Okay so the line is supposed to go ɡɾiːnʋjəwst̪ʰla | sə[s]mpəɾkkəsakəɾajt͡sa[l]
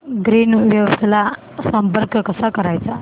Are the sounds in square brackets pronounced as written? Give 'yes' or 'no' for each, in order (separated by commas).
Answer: no, no